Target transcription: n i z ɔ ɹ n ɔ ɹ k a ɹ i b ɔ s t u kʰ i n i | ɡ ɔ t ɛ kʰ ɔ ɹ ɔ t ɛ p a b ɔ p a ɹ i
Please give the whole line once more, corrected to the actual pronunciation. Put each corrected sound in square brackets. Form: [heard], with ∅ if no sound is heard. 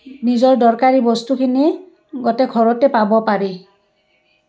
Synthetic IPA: n i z ɔ ɹ [d] ɔ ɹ k a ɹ i b ɔ s t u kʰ i n i | ɡ ɔ t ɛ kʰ ɔ ɹ ɔ t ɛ p a b ɔ p a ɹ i